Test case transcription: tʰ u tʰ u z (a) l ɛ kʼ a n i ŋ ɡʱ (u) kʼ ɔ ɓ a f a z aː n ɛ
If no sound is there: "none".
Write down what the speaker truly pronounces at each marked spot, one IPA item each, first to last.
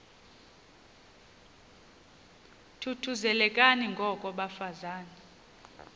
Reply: ɛ, ɔ

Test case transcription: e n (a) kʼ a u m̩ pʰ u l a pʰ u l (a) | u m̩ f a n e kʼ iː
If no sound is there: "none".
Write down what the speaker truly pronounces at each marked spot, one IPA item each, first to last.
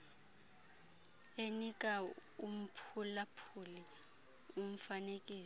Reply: i, i

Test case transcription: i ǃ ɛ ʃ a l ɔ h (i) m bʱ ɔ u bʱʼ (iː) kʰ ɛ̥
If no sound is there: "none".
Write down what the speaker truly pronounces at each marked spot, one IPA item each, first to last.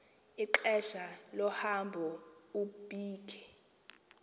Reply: a, iː

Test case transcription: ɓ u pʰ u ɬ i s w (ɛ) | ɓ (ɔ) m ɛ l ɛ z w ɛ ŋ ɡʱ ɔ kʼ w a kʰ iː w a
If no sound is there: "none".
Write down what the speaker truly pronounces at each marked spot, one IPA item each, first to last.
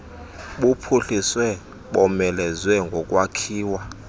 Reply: ɛ, ɔ

